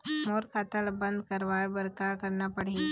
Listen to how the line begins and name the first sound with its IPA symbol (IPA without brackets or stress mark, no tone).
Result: m